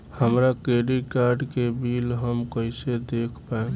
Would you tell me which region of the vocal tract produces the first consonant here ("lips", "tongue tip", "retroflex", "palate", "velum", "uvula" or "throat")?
throat